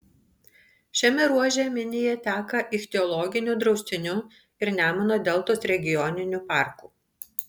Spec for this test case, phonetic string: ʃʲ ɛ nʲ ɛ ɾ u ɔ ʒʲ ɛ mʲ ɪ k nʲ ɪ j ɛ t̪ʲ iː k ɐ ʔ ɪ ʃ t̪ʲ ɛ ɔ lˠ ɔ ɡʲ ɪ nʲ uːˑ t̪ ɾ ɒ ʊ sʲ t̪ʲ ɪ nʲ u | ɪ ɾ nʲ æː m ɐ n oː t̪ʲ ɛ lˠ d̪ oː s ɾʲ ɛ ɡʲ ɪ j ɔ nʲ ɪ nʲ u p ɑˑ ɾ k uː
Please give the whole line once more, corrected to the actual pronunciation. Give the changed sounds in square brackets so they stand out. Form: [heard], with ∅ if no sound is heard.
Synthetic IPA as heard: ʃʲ ɛ [mʲ] ɛ ɾ u ɔ ʒʲ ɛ mʲ ɪ [∅] nʲ ɪ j ɛ t̪ʲ [æː] k ɐ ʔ ɪ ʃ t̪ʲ ɛ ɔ lˠ ɔ ɡʲ ɪ nʲ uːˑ [d̪] ɾ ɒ ʊ sʲ t̪ʲ ɪ nʲ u | ɪ ɾ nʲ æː m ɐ n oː [d̪ʲ] ɛ lˠ [t̪] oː s ɾʲ ɛ ɡʲ ɪ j ɔ nʲ ɪ nʲ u p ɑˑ ɾ k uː